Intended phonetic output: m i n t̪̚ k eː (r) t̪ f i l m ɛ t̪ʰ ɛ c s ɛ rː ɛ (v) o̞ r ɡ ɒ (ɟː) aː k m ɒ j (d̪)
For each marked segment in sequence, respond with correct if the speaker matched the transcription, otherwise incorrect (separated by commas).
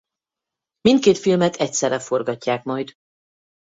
incorrect, incorrect, incorrect, correct